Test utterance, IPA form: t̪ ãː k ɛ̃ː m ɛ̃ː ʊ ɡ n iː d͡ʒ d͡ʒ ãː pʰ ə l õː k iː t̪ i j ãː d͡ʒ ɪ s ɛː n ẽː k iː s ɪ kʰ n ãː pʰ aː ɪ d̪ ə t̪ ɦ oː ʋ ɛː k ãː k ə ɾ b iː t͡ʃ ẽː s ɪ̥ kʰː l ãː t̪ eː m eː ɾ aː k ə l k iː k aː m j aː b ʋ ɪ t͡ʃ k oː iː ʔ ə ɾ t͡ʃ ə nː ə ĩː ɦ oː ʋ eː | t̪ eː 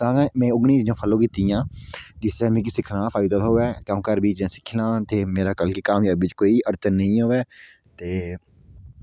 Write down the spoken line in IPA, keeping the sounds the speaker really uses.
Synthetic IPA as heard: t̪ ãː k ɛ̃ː m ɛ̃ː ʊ ɡ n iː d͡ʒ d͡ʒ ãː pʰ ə l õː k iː t̪ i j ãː d͡ʒ ɪ s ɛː m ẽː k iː s ɪ kʰ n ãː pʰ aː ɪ d̪ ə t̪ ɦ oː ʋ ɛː k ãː k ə ɾ b iː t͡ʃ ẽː s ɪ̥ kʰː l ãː t̪ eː m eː ɾ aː k ə l k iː k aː m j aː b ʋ ɪ t͡ʃ k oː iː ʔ ə ɾ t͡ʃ ə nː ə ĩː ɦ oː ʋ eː | t̪ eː